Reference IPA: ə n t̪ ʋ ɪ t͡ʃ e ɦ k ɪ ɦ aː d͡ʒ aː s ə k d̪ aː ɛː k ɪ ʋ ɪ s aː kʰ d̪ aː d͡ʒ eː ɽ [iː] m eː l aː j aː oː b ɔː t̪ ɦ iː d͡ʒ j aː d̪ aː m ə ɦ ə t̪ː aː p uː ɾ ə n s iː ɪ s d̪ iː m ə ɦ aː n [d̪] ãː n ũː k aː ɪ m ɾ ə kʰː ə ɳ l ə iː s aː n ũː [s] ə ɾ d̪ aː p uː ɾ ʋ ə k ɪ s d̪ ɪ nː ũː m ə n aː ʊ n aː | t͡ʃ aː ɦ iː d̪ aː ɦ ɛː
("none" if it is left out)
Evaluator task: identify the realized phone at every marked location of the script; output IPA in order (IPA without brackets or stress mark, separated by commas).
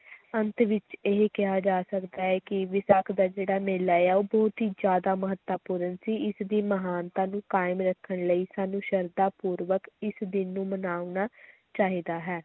aː, t̪, ʃ